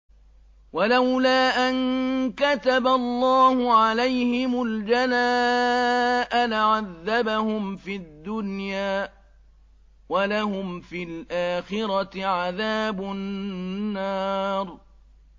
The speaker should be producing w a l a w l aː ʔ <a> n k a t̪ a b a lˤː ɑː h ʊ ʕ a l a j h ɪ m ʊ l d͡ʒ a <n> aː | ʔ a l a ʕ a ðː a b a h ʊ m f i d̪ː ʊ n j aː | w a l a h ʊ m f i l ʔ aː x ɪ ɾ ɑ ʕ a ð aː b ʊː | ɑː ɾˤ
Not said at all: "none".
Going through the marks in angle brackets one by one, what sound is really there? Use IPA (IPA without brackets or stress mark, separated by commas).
a, n